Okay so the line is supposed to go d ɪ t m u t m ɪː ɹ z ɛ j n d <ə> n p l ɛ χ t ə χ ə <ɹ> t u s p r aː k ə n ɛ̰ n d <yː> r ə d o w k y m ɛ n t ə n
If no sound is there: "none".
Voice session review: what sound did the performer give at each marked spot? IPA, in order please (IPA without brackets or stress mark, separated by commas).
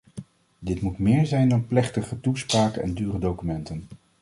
ɑ, none, yː